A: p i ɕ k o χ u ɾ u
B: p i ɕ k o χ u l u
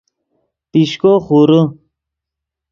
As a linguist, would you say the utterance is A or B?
A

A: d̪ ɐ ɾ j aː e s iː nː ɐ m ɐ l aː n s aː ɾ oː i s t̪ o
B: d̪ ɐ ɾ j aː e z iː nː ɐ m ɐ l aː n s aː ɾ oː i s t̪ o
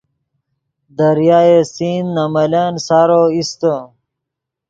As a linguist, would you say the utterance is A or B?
A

